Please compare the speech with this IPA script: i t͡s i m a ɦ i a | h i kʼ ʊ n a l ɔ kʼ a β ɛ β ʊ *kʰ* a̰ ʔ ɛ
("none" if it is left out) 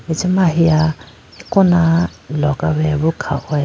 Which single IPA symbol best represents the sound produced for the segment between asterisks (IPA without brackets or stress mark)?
kʰ